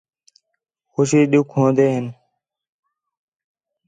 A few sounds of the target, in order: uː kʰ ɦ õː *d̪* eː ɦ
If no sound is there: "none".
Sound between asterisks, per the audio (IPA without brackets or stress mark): d̪